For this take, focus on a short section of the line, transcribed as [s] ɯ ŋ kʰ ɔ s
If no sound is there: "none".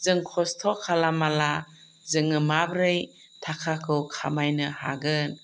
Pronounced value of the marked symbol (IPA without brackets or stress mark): z